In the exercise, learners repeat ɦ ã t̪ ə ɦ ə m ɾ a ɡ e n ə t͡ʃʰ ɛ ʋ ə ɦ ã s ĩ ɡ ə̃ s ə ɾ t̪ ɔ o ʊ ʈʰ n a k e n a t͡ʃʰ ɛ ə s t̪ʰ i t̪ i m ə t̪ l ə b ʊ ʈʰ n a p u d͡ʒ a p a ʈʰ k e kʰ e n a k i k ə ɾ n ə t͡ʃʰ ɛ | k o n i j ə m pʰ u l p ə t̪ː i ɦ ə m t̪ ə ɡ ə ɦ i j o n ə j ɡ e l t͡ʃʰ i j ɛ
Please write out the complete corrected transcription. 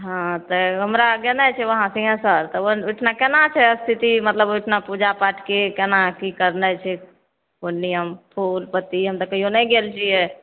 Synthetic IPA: ɦ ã t̪ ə ɦ ə m ɾ a ɡ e n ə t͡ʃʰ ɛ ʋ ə ɦ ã s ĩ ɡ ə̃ s ə ɾ t̪ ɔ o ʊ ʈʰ n a k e n a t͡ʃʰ ɛ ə s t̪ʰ i t̪ i m ə t̪ l ə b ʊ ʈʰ n a p u d͡ʒ a p a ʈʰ k e k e n a k i k ə ɾ n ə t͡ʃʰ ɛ | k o n i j ə m pʰ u l p ə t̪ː i ɦ ə m t̪ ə k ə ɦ i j o n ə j ɡ e l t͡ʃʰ i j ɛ